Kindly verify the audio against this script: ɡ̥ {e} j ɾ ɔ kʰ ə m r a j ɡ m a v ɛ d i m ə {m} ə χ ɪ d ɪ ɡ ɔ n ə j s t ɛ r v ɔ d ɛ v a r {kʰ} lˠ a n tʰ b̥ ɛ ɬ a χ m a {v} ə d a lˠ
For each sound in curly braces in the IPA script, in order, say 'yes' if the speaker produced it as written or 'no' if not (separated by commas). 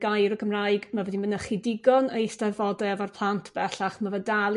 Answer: no, no, no, yes